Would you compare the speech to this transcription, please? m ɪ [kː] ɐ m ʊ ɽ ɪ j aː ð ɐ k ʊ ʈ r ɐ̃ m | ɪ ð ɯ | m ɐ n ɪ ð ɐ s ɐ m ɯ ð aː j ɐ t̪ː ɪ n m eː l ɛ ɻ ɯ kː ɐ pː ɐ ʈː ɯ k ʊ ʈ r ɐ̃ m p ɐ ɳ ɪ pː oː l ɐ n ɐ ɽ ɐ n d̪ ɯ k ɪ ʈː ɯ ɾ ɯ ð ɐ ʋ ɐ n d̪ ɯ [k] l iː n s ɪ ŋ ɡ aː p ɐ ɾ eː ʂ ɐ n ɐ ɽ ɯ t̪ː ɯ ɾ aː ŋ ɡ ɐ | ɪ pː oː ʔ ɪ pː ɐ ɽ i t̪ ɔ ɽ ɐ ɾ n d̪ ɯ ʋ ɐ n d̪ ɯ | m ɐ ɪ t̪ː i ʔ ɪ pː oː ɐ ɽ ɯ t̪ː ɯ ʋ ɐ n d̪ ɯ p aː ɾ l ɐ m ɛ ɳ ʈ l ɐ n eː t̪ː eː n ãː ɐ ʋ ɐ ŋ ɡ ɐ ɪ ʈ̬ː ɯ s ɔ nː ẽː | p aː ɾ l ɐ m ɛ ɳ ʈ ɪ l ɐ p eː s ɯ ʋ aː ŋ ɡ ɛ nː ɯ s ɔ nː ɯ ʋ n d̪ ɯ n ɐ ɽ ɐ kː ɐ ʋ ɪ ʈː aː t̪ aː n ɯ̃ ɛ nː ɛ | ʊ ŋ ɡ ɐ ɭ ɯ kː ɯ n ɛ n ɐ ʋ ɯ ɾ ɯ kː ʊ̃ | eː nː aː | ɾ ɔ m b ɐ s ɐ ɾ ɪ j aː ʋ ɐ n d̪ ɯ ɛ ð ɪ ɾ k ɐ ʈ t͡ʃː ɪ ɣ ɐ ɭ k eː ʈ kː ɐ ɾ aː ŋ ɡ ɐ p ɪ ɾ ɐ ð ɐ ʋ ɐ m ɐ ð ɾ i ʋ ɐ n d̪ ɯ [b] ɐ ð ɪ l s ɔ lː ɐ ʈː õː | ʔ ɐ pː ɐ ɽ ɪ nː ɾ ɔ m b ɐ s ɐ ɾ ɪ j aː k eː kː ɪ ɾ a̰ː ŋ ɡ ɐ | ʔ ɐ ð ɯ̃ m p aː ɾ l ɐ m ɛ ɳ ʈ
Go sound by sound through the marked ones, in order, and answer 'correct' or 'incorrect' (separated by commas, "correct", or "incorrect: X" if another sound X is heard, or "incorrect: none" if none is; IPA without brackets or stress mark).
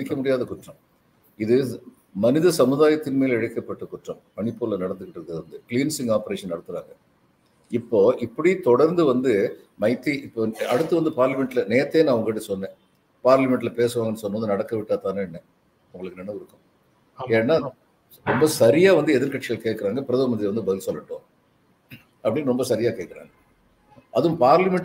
correct, correct, correct